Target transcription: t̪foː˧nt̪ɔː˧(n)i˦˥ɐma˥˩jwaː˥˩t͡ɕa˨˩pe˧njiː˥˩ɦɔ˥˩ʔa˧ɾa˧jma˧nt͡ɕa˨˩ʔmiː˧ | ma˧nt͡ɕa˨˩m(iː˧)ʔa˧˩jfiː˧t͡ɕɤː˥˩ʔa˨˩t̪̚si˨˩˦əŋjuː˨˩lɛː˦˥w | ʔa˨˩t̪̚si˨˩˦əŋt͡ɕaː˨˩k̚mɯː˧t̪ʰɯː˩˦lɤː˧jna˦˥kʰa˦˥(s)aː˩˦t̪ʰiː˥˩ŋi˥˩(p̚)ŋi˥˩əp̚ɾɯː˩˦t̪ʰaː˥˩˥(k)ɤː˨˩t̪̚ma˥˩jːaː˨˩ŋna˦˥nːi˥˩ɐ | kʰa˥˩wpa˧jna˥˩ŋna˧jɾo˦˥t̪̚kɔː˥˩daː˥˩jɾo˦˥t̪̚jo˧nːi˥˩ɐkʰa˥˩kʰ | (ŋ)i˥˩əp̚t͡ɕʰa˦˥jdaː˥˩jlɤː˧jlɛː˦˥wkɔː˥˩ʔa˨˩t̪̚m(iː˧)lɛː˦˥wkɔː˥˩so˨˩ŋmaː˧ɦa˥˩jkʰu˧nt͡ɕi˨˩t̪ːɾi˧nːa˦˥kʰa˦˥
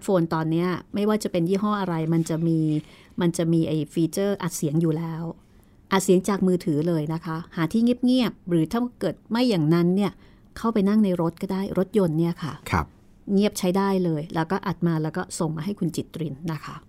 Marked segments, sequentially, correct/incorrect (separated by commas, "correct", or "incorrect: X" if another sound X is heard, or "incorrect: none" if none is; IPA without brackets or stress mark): incorrect: nː, correct, incorrect: h, correct, correct, correct, incorrect: aː˧